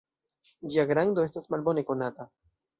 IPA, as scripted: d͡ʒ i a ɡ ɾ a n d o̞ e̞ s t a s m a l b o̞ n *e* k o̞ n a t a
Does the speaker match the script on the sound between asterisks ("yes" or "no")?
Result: yes